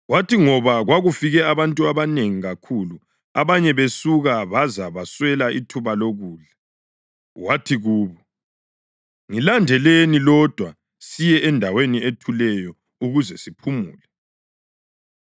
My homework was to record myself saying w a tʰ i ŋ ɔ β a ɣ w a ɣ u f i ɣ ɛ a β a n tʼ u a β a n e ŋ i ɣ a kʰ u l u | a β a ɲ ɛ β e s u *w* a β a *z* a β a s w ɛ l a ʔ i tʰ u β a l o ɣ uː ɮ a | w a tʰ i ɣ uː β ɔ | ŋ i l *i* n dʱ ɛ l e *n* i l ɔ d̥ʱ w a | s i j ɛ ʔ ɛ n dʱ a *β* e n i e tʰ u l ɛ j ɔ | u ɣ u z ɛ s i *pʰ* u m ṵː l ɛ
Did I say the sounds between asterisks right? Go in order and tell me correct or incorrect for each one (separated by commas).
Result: incorrect, correct, incorrect, correct, incorrect, correct